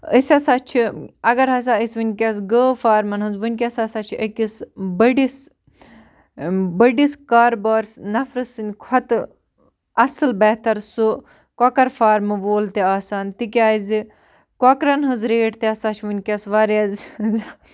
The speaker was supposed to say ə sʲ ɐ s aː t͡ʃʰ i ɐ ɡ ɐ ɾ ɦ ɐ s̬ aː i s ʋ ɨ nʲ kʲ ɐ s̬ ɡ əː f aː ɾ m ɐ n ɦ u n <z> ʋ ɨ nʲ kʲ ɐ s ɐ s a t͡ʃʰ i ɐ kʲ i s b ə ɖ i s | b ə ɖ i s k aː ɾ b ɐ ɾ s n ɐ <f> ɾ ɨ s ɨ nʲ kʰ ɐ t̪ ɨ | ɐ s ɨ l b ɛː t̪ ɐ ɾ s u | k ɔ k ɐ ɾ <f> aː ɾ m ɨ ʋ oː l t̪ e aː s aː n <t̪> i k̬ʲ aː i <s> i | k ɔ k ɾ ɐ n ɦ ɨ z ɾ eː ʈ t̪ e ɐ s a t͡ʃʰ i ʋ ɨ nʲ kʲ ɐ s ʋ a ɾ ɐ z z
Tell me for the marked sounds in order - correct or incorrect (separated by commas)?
correct, correct, correct, correct, incorrect